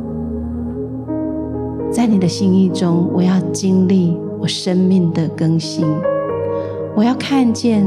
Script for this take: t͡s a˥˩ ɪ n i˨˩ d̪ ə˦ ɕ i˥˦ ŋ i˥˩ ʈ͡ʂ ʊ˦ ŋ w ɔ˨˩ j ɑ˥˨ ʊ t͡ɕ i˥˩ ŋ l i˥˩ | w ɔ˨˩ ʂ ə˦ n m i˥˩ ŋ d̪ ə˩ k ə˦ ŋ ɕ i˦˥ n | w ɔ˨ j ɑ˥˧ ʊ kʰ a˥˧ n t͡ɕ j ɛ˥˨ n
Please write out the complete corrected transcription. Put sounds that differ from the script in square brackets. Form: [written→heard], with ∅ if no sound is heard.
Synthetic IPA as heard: t͡s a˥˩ ɪ n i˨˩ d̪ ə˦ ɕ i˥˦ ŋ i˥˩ ʈ͡ʂ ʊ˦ ŋ w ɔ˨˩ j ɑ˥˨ ʊ t͡ɕ [i˥˩→i˦˥] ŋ l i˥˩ | w ɔ˨˩ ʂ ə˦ n m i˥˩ ŋ d̪ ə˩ k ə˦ ŋ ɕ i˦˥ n | w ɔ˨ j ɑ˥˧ ʊ kʰ a˥˧ n t͡ɕ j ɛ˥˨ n